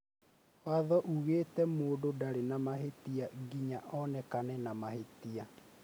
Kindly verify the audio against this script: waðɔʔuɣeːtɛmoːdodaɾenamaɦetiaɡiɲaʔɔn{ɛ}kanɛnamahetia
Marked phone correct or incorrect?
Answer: correct